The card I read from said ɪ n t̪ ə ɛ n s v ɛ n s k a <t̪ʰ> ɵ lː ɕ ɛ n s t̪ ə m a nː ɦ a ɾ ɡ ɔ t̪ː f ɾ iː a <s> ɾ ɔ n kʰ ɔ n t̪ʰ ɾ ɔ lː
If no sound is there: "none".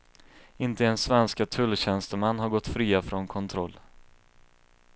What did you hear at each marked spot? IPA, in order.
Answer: t̪ʰ, f

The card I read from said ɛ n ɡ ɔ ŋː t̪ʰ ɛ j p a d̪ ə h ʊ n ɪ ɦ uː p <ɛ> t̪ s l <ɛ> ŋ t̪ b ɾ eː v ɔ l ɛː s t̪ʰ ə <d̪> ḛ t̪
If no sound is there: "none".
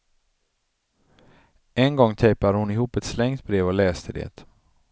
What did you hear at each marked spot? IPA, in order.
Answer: ɛ, ɛ, d̪

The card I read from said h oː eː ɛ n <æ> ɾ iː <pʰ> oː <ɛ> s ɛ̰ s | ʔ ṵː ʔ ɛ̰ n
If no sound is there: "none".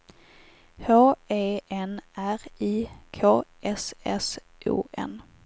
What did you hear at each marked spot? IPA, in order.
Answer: æ, kʰ, ɛ

